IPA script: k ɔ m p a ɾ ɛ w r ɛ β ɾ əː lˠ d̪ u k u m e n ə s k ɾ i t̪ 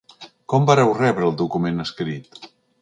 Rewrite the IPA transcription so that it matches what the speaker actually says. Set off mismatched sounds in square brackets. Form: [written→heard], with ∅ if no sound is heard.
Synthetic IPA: k ɔ m [p→b] a ɾ ɛ w r ɛ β ɾ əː lˠ d̪ u k u m e n ə s k ɾ i t̪